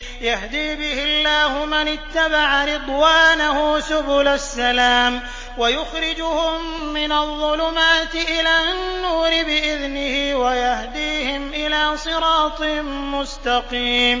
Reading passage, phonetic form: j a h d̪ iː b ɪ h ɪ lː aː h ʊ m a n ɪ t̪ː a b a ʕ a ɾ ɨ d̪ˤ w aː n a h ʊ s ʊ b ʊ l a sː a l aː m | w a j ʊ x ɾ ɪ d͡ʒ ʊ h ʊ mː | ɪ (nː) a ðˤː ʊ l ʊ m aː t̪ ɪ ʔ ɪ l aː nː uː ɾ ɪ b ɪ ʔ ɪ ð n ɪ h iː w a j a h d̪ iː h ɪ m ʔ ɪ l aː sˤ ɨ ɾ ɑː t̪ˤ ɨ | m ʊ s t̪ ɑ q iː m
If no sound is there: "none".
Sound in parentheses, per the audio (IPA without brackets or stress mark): n